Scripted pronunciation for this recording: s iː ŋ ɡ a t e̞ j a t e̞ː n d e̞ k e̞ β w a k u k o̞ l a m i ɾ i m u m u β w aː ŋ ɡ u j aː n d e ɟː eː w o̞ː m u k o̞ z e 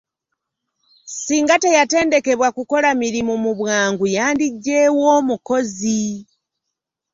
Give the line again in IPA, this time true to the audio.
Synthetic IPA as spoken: s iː ŋ ɡ a t e̞ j a t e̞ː n d e̞ k e̞ β w a k u k o̞ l a m i ɾ i m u m u β w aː ŋ ɡ u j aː n d i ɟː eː w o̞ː m u k o̞ z i